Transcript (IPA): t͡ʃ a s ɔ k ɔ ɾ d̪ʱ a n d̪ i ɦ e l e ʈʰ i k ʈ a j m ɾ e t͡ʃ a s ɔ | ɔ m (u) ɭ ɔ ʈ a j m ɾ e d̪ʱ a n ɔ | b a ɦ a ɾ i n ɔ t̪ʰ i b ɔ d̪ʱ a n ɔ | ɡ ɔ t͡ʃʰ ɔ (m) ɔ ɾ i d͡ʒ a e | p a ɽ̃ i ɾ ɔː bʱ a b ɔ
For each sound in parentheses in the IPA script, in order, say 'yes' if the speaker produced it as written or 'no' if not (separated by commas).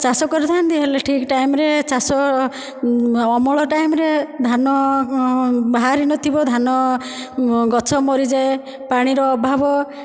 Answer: no, yes